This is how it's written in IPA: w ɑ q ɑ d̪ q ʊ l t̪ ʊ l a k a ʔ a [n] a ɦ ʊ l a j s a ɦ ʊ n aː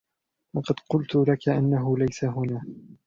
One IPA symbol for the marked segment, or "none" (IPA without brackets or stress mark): nː